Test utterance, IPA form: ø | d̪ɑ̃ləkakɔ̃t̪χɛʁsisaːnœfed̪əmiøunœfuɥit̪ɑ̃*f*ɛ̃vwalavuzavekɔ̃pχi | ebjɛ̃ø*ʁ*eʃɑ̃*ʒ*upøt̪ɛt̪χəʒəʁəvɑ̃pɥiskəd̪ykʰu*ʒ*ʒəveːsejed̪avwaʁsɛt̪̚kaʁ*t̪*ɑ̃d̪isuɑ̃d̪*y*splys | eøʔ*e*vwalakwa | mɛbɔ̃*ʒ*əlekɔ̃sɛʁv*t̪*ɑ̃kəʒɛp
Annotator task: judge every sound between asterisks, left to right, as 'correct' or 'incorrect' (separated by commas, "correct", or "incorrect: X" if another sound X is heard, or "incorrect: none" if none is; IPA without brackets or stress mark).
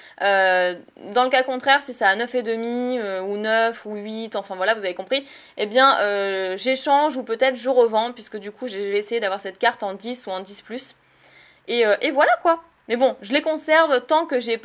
correct, incorrect: ʒ, correct, correct, correct, incorrect: i, correct, correct, correct